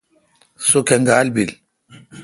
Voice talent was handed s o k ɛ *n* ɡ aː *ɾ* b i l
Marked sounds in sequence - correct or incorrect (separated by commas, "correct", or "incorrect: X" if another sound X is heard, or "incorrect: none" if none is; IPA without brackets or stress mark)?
incorrect: ŋ, incorrect: l